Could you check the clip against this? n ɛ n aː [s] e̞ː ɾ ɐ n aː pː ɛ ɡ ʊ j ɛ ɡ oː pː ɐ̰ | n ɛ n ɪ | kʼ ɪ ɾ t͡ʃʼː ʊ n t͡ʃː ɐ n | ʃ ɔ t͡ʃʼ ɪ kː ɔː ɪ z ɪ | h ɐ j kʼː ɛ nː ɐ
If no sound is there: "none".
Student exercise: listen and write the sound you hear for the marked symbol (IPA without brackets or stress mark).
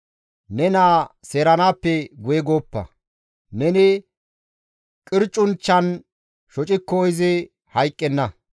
s